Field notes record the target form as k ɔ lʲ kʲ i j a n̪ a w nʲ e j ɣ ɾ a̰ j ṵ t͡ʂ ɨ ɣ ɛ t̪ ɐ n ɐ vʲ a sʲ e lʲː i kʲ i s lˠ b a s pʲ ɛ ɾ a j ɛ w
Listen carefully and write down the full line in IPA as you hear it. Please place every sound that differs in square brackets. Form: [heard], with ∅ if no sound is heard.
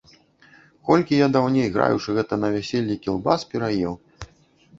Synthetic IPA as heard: k ɔ lʲ kʲ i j a [d̪] a w nʲ e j ɣ ɾ a̰ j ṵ t͡ʂ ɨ ɣ ɛ t̪ ɐ n ɐ vʲ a sʲ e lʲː i kʲ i [∅] lˠ b a s pʲ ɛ ɾ a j ɛ w